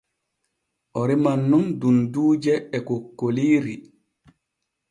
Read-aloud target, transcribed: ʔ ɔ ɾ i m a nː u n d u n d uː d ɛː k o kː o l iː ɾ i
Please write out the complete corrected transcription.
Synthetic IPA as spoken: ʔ ɔ ɾ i m a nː u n d u n d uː d͡ʒ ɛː k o kː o l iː ɾ i